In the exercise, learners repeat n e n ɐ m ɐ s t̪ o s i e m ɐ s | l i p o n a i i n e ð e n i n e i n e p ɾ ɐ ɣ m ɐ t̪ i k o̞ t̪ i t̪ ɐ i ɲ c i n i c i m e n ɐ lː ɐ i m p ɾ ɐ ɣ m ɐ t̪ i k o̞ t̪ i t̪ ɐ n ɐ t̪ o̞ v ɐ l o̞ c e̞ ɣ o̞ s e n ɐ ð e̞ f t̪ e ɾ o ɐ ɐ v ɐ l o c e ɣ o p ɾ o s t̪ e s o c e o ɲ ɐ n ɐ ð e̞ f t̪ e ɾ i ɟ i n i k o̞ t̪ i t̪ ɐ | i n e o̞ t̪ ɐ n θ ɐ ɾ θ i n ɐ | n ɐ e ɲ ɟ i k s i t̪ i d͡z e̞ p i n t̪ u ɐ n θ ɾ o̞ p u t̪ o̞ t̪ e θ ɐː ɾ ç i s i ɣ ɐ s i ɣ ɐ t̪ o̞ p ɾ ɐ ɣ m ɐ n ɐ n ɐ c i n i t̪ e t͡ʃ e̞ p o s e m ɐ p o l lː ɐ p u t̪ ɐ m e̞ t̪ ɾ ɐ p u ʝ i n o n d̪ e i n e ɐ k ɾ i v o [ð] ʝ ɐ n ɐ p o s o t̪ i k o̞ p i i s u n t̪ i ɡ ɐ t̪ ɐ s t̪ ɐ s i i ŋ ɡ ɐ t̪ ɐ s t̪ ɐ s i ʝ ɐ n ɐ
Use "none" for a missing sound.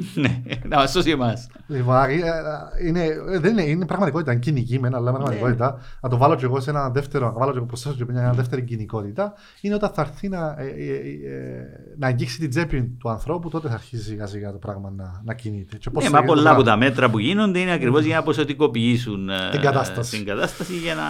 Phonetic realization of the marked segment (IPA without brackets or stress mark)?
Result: z